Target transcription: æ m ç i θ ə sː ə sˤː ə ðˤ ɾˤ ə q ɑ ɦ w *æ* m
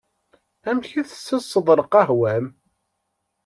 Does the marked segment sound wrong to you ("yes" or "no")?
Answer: no